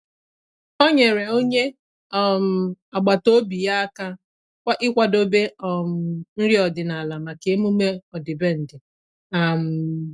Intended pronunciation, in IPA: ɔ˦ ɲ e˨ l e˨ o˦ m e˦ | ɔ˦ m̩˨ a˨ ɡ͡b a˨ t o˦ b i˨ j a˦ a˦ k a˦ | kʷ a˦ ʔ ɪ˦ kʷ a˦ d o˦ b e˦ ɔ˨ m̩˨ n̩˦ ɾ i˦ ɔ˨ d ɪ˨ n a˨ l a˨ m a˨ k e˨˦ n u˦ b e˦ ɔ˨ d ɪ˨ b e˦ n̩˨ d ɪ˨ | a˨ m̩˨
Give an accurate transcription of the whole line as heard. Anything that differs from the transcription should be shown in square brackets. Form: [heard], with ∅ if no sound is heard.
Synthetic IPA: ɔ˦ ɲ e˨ [ɾ] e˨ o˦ [ɲ] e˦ | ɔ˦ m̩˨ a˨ ɡ͡b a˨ t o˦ b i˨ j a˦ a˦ k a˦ | kʷ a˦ ʔ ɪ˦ kʷ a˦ d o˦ b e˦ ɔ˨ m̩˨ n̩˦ ɾ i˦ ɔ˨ d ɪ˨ n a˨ l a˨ m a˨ k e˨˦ [m] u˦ [m] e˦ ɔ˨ d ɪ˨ b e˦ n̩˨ d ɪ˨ | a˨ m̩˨